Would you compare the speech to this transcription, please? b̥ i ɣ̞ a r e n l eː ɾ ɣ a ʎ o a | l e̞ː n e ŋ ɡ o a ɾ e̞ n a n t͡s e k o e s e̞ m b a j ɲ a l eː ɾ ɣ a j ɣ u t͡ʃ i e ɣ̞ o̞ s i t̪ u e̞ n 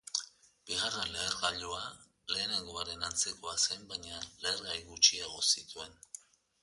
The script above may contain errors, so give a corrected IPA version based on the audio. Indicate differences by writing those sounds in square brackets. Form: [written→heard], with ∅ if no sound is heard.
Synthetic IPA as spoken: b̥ i ɣ̞ a r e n l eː ɾ ɣ a ʎ o a | l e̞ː n e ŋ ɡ o a ɾ e̞ n a n t͡s e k o [e→a] s e̞ m b a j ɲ a l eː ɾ ɣ a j ɣ u t͡ʃ i e ɣ̞ o̞ s i t̪ u e̞ n